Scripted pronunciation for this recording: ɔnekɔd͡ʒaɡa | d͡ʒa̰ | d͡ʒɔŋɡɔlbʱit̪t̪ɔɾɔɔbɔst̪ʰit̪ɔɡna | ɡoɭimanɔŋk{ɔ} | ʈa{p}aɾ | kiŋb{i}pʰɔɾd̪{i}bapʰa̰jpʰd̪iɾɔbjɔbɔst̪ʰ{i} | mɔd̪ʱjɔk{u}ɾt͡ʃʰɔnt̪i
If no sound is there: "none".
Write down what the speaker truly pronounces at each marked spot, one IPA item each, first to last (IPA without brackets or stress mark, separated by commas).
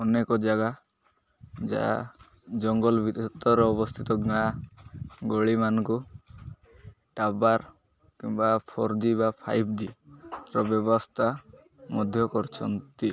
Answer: u, b, a, i, a, ɔ